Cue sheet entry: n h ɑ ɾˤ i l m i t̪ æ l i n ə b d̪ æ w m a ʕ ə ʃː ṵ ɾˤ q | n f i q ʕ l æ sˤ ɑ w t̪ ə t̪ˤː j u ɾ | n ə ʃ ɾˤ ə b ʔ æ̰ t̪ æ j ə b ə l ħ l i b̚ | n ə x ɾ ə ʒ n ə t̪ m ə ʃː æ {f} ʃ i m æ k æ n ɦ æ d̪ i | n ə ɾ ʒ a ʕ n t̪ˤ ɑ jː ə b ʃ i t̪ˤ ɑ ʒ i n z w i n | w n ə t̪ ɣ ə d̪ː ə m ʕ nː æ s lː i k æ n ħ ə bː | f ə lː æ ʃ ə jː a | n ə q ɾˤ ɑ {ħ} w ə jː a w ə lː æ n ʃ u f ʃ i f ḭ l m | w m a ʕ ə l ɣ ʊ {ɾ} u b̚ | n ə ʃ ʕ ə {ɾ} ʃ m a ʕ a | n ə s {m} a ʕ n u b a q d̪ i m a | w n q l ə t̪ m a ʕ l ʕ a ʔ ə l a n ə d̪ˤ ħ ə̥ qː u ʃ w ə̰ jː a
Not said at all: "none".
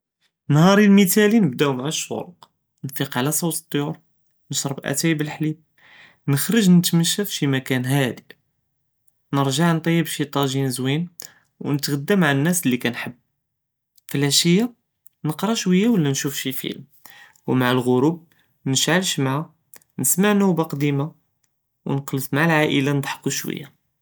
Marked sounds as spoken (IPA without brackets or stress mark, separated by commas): f, ʃ, ɾ, l, m